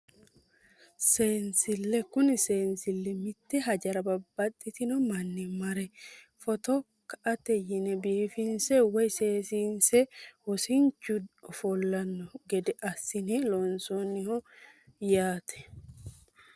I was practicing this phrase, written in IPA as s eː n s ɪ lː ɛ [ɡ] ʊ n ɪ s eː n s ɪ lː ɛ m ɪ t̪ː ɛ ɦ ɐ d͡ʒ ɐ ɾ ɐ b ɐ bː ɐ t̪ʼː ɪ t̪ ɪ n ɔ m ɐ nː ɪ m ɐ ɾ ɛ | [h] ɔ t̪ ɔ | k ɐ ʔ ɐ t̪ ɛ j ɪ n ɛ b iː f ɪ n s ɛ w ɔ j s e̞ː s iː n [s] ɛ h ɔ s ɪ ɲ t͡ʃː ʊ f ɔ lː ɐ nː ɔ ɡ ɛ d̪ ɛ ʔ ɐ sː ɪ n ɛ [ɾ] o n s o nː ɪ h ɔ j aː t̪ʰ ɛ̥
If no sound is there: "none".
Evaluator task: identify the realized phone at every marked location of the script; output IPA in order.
k, f, s, l

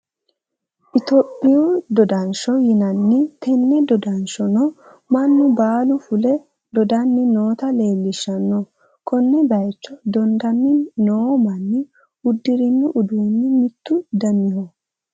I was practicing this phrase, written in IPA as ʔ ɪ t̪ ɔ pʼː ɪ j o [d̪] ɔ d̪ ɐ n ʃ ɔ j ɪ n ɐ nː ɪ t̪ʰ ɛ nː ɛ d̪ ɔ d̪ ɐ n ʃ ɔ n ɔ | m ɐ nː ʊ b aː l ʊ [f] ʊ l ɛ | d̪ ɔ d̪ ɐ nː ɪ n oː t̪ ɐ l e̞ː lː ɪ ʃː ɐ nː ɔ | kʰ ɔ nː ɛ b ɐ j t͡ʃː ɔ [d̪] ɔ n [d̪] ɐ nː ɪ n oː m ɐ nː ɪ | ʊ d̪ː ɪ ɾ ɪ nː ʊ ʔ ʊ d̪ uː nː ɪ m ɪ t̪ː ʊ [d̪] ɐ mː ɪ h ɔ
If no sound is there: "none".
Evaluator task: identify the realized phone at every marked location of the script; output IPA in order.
d̪, f, d̪, d̪, d̪

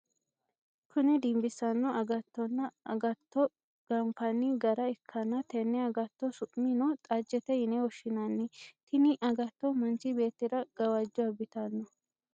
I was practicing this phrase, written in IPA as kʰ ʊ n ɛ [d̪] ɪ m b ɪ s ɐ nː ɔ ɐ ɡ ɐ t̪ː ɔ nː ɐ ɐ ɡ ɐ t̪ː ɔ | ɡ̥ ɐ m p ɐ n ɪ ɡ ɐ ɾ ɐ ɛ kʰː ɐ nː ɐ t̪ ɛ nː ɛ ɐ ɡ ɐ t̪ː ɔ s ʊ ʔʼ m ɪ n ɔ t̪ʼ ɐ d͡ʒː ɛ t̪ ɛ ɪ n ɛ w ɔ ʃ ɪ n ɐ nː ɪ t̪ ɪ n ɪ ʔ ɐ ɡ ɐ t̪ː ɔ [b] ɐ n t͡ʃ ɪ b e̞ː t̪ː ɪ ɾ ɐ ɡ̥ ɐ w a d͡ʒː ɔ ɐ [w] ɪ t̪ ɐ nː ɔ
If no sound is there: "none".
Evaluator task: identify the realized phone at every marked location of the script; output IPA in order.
d̪, m, b

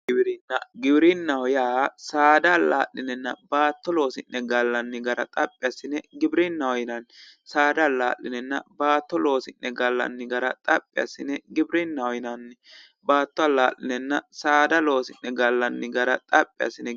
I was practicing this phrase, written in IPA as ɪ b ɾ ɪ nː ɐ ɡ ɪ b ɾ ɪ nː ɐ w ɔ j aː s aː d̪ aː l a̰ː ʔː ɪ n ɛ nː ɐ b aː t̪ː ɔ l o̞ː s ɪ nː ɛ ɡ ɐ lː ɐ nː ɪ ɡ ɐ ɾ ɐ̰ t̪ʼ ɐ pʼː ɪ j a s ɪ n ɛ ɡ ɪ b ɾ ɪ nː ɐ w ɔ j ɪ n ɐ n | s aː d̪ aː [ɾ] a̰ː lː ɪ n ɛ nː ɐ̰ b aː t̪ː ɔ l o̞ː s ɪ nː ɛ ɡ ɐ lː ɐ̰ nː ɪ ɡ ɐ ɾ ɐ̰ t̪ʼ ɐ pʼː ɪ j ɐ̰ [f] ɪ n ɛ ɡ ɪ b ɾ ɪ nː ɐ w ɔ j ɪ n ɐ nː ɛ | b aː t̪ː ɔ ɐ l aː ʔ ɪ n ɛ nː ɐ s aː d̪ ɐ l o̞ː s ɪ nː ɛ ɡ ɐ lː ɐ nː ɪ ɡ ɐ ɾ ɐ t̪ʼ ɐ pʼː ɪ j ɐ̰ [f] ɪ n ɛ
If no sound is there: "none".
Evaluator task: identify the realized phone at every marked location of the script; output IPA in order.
l, s, s

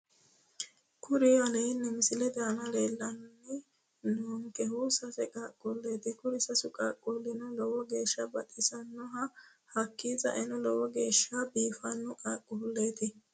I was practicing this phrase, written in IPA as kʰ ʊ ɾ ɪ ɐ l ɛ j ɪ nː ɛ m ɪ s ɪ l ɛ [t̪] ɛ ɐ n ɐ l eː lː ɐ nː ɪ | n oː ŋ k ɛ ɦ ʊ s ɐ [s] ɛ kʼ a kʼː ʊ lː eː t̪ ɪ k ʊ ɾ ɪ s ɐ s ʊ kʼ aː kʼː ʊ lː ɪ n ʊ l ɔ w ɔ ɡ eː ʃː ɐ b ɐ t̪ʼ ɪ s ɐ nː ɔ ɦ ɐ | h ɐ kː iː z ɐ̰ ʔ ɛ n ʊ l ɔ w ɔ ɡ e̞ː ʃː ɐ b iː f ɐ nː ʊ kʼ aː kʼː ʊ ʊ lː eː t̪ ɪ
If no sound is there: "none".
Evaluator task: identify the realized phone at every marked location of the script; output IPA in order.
d̪, s

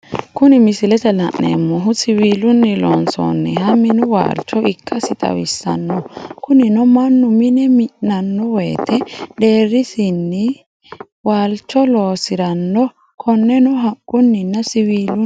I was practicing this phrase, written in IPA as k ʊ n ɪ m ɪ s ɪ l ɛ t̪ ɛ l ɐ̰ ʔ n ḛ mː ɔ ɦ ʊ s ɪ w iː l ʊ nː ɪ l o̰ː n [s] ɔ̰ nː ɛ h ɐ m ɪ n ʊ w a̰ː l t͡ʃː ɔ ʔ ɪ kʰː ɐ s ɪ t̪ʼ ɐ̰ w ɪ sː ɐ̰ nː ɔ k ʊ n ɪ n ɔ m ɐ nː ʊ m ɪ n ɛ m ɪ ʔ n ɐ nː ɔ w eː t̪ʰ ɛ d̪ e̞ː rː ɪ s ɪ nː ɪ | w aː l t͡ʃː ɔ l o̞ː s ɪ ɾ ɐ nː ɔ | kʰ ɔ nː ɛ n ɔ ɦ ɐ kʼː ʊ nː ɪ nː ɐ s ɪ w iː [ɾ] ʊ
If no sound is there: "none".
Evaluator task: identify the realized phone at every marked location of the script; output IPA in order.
s, l

